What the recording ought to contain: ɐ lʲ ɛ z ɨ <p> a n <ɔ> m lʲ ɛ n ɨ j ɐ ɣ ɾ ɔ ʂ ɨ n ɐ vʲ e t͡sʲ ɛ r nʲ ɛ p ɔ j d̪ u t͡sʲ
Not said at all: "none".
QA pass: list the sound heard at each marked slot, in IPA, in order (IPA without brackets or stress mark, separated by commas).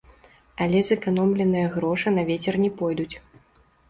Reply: k, ɔ